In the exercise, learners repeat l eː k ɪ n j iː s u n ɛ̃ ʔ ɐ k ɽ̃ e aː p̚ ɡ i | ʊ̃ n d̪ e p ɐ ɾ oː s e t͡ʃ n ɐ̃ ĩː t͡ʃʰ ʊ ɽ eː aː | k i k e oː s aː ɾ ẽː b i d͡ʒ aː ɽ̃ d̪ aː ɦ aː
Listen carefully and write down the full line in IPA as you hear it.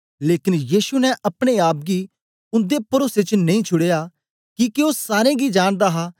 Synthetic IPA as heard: l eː k ɪ n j iː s u n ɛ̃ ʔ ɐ p ɽ̃ e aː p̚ ɡ i | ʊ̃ n d̪ e p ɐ ɾ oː s e t͡ʃ n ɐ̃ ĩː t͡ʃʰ ʊ ɽ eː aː | k i k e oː s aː ɾ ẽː ɡ i d͡ʒ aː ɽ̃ d̪ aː ɦ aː